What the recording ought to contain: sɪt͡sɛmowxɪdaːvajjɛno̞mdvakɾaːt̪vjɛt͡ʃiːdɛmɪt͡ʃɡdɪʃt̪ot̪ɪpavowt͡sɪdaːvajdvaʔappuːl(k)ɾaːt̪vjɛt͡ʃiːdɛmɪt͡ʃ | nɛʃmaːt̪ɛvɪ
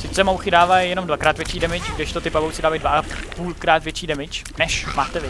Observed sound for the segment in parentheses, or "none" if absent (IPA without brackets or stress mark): k